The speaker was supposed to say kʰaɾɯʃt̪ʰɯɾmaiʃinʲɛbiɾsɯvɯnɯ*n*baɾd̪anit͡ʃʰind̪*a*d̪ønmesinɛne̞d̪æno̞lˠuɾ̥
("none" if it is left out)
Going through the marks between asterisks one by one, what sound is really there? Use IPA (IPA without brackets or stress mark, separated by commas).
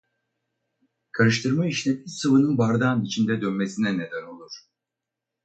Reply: n, ɛ